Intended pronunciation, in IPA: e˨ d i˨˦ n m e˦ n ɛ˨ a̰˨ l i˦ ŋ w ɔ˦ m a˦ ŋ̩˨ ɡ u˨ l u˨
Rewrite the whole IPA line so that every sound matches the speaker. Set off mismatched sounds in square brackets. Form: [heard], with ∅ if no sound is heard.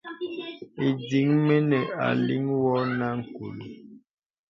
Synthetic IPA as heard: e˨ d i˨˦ [ŋ] m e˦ n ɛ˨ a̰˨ l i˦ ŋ w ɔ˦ [n] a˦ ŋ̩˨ [k] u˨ l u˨